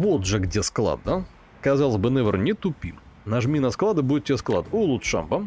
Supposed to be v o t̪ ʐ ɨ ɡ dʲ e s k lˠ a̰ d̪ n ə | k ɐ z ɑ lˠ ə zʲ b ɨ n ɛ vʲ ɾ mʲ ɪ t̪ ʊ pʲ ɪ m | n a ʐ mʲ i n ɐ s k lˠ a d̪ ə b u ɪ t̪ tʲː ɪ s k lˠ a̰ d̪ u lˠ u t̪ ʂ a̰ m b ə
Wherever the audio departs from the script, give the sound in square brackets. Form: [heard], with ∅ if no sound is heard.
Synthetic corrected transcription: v o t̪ ʐ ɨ ɡ dʲ e s k lˠ a̰ d̪ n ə | k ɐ z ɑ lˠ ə zʲ b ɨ n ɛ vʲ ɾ [nʲ] ɪ t̪ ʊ pʲ [i] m | n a ʐ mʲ i n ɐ s k lˠ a d̪ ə b u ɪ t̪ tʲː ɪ s k lˠ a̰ d̪ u lˠ u t̪ ʂ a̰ m b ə